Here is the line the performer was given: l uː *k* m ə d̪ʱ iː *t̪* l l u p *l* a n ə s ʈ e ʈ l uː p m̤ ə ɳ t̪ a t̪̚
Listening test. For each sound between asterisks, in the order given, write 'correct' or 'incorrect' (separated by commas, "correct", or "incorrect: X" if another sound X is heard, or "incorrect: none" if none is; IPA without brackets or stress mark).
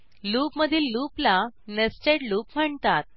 incorrect: p, incorrect: none, correct